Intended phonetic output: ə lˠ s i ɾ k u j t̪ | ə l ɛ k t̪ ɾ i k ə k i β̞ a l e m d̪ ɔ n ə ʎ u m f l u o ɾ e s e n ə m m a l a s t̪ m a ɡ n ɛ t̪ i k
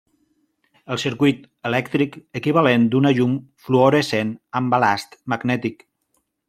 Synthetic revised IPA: ə lˠ s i ɾ k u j t̪ | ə l ɛ k t̪ ɾ i k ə k i β̞ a l e n d̪ u n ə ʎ u m f l u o ɾ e s e n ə m b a l a s t̪ m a ɡ n ɛ t̪ i k